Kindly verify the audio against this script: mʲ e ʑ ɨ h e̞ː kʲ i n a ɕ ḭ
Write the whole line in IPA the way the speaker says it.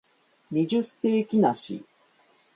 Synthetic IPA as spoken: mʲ i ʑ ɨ s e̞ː kʲ i n a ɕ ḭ